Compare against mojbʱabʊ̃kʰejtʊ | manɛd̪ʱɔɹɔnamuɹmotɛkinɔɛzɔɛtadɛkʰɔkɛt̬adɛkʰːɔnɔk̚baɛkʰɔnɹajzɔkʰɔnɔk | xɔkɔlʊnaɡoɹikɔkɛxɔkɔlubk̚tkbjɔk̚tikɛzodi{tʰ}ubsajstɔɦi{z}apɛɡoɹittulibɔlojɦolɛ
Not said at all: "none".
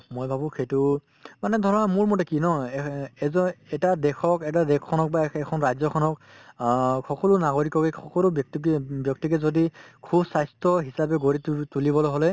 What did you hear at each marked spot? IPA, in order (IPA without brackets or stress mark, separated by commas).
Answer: kʰ, s